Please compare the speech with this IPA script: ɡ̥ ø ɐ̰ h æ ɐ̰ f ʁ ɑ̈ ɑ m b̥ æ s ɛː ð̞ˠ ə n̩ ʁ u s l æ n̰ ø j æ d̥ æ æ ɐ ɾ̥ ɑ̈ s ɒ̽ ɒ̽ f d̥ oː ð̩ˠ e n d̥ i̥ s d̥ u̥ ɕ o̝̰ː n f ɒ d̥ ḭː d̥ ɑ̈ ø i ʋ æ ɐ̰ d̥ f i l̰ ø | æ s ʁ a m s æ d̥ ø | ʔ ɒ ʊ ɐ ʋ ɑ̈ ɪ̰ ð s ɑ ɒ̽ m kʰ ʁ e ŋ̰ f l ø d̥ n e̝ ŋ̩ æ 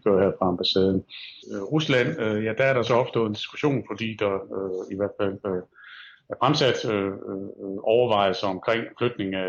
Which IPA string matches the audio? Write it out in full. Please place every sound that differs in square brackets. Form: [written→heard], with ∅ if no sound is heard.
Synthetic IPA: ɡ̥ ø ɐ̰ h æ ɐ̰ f ʁ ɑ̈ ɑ m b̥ æ s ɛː ð̞ˠ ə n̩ ʁ u s l æ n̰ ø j æ d̥ æ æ ɐ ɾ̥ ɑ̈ s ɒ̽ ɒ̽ f d̥ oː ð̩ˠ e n d̥ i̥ s [d̥→ɡ̥] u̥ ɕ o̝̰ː n f ɒ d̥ ḭː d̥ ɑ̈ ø i ʋ æ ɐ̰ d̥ f [i→æ] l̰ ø | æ [s→f] ʁ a m s æ d̥ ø | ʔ ɒ ʊ ɐ ʋ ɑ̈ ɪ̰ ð s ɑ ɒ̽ m kʰ ʁ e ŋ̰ f l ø d̥ n e̝ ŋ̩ æ